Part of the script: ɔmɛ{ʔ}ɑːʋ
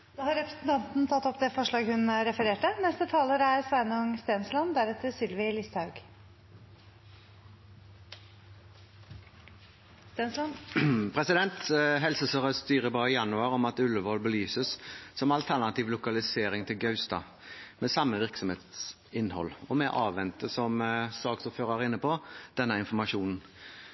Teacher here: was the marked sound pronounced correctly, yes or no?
yes